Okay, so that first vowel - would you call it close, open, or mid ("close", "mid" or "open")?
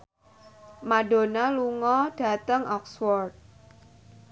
open